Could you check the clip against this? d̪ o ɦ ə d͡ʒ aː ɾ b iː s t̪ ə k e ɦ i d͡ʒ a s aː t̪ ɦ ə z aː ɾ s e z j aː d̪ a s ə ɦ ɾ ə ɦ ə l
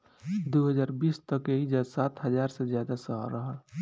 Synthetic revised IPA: d̪ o ɦ ə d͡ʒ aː ɾ b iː s t̪ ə k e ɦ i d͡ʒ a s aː t̪ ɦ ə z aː ɾ s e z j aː d̪ a s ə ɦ ɾ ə ɦ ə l